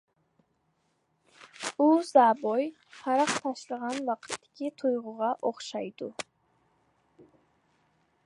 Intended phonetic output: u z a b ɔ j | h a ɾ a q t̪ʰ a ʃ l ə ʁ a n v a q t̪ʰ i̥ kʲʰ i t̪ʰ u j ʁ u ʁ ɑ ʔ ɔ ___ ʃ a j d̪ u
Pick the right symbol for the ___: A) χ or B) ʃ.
A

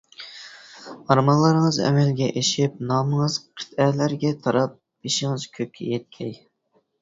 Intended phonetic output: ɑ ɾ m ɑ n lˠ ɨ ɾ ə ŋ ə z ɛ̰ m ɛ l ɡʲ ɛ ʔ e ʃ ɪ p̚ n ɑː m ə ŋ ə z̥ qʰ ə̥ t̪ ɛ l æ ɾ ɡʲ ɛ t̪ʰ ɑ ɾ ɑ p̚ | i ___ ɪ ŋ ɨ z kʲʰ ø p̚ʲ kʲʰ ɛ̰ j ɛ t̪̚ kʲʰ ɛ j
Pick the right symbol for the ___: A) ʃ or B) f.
A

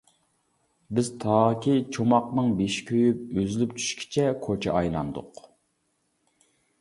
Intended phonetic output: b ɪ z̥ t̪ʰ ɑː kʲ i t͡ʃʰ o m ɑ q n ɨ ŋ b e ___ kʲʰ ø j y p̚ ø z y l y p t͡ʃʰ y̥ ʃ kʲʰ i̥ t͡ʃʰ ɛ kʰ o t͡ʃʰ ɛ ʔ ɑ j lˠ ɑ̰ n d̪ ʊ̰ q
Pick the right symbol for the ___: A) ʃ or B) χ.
A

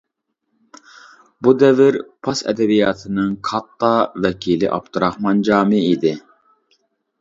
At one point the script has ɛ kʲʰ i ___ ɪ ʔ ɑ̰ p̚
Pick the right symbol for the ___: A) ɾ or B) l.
B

